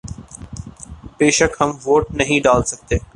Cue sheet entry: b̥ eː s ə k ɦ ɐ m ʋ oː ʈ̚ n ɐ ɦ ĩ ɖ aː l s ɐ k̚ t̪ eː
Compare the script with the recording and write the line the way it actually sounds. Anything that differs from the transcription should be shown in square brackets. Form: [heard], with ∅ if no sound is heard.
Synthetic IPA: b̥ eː [ʃ] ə k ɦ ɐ m ʋ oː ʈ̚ n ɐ ɦ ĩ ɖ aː l s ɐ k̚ t̪ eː